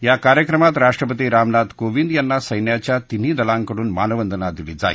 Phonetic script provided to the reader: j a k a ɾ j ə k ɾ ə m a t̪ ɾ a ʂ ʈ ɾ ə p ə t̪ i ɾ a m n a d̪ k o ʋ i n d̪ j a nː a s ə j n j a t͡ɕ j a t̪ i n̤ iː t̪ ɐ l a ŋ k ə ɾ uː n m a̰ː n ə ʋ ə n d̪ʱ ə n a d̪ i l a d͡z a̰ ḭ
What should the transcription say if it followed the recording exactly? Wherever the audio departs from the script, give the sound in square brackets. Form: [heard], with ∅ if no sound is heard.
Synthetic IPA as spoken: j a k a ɾ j ə k ɾ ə m a t̪ ɾ a ʂ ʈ ɾ ə p ə t̪ i ɾ a m n a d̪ k o ʋ i n d̪ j a nː a s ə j n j a t͡ɕ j a t̪ i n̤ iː [d̪] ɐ l a ŋ k ə [ɽ] uː n m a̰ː n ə ʋ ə n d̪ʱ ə n a d̪ i l [i] d͡z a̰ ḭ